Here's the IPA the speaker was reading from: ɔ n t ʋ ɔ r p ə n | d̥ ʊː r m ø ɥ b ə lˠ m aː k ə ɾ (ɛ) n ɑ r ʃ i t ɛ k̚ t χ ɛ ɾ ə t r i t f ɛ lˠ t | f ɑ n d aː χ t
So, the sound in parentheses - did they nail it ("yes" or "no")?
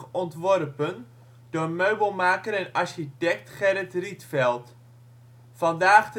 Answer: yes